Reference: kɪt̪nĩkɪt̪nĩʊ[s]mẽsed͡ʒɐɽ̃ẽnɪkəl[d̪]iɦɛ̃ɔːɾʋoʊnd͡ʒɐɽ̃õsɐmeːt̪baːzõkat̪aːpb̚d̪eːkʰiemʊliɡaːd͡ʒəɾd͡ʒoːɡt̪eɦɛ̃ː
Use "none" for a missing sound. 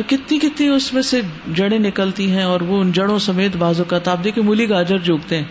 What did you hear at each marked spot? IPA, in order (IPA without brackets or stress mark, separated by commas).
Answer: s, t̪